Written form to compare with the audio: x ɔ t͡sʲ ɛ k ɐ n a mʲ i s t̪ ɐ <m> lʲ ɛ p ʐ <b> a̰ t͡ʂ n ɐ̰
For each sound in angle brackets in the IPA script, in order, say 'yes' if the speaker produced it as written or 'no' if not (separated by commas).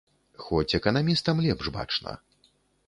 yes, yes